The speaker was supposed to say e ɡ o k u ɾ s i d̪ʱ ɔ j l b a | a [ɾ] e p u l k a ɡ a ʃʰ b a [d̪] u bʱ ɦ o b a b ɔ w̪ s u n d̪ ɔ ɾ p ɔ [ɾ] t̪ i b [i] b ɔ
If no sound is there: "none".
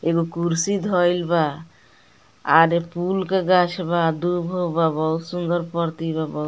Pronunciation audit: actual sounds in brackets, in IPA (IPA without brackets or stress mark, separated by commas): ɾ, d̪, ɾ, a